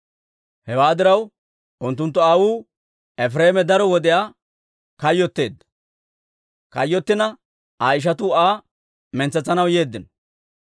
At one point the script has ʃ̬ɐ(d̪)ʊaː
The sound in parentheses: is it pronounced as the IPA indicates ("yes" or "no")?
no